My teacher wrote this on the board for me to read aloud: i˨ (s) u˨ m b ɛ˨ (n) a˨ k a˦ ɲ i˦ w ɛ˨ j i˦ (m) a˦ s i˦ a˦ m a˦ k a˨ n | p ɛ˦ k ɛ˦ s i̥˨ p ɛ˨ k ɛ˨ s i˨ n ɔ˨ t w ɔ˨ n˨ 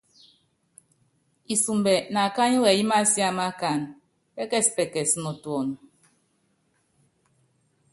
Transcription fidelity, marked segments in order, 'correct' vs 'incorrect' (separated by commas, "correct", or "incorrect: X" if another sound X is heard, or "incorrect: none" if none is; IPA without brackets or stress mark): correct, correct, correct